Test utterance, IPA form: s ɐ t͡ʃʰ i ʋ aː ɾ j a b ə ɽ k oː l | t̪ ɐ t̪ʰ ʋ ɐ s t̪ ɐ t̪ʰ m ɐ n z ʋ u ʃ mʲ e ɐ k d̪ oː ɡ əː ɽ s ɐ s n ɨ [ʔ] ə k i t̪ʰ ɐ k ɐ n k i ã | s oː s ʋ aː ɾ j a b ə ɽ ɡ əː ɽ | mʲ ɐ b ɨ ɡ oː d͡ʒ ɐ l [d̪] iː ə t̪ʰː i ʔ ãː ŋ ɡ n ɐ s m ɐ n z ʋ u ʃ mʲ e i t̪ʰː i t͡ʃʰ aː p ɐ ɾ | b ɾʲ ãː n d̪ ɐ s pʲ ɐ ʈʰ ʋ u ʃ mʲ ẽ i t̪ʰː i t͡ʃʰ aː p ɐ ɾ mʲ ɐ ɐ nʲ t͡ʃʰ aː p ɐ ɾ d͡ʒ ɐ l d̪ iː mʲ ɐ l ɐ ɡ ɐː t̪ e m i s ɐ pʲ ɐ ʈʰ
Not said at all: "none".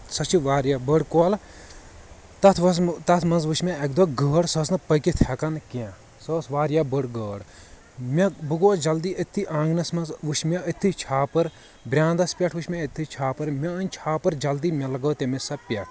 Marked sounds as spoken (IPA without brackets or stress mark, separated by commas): p, d̪